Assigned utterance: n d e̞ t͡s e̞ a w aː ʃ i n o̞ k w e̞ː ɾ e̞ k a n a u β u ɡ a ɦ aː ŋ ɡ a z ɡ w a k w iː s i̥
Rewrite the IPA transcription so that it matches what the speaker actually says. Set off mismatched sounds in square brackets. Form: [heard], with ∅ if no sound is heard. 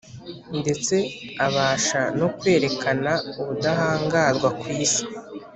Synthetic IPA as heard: n d e̞ t͡s e̞ a [β] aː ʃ [a] n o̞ k w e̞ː ɾ e̞ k a n a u β u [d] a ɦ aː ŋ ɡ a z ɡ w a k w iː s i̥